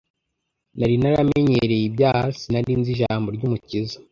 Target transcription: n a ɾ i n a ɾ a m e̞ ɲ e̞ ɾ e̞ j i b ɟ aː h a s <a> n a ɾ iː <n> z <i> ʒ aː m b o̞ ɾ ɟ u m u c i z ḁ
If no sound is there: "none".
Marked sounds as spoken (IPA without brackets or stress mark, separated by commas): i, n, i